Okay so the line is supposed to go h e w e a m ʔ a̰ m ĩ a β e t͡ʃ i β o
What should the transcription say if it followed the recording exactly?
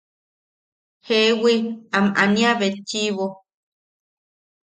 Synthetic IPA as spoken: h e w i a m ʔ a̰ n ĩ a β e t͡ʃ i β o